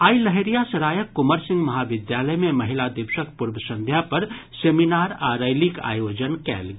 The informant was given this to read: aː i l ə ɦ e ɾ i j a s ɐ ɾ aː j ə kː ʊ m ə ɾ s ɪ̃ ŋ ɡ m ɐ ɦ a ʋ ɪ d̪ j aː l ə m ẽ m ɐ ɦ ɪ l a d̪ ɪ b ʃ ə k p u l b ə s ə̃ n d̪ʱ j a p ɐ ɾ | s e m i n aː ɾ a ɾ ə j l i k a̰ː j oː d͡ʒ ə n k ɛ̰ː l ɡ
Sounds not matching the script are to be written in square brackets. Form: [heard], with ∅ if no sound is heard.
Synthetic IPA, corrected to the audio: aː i l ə ɦ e ɾ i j a s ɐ ɾ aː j ə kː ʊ m ə ɾ s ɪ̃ ŋ ɡ m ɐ ɦ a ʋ ɪ d̪ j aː l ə m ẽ m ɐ ɦ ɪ l a d̪ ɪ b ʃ ə k p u [ɾ] b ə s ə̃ n d̪ʱ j a p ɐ ɾ | s e m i n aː ɾ a ɾ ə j l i k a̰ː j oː d͡ʒ ə n k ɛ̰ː l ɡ